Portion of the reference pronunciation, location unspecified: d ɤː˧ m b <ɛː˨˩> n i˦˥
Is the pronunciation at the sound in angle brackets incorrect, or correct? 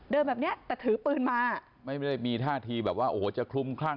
correct